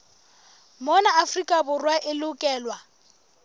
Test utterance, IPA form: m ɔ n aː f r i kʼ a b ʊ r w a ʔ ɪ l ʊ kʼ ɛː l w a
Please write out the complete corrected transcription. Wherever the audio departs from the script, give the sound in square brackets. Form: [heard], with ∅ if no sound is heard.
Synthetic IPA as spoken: m ɔ n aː f r i kʼ a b ʊ r w a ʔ ɪ l ʊ kʼ ɛː l w a